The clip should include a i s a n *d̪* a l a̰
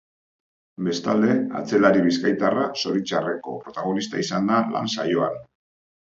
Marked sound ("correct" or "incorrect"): correct